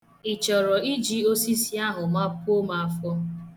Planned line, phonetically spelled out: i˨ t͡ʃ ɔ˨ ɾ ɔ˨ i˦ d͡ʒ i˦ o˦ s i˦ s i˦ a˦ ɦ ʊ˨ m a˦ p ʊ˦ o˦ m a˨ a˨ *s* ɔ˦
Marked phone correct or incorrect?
incorrect